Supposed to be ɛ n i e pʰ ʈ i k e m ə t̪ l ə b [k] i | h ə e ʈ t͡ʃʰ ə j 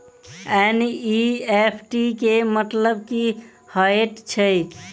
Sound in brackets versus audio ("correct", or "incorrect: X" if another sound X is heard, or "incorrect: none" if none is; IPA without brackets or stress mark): correct